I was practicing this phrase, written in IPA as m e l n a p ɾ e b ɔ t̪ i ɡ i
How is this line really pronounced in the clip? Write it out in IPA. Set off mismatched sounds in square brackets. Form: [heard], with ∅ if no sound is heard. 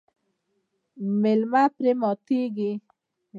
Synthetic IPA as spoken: m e l [m] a p ɾ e [m] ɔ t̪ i ɡ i